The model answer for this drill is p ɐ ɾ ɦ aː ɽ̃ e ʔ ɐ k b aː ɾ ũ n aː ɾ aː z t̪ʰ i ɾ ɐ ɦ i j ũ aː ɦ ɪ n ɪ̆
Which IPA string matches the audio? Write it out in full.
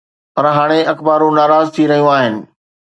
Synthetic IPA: p ɐ ɾ ɦ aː ɽ̃ e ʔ ɐ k b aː ɾ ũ n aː ɾ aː z t̪ʰ i ɾ ɐ ɦ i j ũ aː ɦ ɪ n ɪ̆